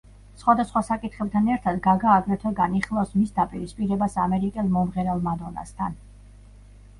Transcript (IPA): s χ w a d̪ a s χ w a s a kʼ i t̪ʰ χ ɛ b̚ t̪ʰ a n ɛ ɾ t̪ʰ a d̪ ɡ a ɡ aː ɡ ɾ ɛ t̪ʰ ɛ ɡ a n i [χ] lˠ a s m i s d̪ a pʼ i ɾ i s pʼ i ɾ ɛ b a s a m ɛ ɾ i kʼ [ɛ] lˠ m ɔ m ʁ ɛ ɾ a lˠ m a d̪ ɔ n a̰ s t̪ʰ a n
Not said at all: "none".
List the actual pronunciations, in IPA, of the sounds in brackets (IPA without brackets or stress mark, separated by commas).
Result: χ, ɛ